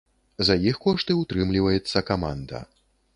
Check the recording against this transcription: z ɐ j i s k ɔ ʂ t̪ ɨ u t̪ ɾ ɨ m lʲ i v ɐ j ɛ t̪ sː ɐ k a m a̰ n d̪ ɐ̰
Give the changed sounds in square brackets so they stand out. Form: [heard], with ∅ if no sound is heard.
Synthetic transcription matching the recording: z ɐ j i [x] k ɔ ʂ t̪ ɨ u t̪ ɾ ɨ m lʲ i v ɐ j ɛ t̪ sː ɐ k a m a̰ n d̪ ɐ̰